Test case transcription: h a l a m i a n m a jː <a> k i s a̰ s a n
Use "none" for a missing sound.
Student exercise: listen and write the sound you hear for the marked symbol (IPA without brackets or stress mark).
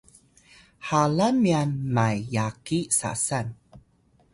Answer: a